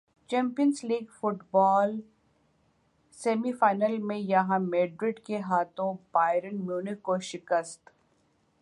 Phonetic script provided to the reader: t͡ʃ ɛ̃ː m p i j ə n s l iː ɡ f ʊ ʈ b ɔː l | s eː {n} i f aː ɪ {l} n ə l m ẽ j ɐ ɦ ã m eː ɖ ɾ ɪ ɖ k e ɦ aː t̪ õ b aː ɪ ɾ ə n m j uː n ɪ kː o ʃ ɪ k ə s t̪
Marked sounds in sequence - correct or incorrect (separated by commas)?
incorrect, incorrect